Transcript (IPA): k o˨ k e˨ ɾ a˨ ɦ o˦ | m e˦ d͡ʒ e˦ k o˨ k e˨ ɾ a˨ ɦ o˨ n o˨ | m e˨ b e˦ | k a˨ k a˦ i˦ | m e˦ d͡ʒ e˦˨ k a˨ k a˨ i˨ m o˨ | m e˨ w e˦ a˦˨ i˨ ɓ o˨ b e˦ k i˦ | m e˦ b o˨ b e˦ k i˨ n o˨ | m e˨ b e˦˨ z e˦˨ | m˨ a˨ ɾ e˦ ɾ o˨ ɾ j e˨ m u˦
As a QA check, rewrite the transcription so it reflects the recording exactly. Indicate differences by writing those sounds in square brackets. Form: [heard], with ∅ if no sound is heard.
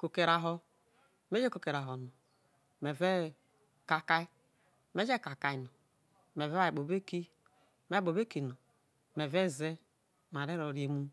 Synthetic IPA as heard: k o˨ k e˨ ɾ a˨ ɦ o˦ | m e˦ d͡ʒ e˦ k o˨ k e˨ ɾ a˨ ɦ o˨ n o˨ | m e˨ [v] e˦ | k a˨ k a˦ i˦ | m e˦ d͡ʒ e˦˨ k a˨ k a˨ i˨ [n] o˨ | m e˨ [v] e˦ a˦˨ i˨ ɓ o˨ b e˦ k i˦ | m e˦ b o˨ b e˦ k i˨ n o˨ | m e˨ [v] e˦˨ z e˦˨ | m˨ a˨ ɾ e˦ ɾ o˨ ɾ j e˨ m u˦